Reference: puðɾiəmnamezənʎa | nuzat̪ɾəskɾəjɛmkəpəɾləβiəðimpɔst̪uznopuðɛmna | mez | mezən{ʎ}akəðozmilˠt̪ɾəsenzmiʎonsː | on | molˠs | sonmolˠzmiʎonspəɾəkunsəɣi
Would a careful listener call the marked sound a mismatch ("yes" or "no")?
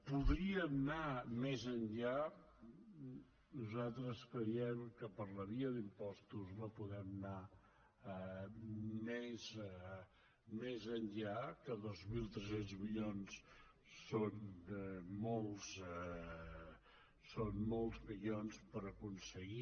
no